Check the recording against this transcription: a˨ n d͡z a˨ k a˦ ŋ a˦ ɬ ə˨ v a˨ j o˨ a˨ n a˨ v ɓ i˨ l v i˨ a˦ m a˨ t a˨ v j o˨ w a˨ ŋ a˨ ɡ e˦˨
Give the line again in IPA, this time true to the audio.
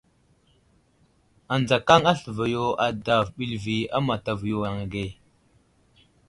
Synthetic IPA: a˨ n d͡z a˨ k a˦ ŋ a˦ ɬ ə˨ v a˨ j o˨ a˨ d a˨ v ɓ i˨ l v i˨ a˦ m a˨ t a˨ v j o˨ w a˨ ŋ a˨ ɡ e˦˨